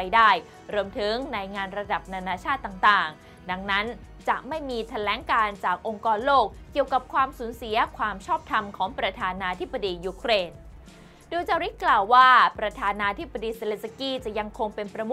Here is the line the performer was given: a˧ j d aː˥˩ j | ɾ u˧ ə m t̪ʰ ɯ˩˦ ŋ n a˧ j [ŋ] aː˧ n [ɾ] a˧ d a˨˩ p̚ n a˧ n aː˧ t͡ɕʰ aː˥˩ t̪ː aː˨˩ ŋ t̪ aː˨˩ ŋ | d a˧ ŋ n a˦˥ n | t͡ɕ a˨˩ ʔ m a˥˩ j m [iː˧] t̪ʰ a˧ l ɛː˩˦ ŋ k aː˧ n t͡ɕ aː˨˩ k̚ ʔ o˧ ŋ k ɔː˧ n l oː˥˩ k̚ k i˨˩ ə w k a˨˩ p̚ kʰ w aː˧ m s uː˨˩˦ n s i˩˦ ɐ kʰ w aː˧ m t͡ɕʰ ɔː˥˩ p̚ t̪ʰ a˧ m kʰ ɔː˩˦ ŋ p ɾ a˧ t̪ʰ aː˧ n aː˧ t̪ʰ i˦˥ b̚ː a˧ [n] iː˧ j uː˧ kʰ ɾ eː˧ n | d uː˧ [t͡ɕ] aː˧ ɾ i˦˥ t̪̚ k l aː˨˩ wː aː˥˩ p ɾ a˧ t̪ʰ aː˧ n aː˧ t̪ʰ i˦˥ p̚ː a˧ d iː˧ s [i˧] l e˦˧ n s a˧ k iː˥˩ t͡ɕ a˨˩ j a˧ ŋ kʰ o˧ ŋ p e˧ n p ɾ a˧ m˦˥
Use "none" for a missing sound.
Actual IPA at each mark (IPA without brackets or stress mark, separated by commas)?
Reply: ŋ, ɾ, iː˧, d, t͡ɕ, e˧